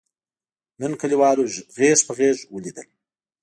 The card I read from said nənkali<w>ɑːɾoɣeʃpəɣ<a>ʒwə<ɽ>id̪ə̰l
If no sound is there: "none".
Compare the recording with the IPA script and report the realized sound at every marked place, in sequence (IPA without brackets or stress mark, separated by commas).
w, e, l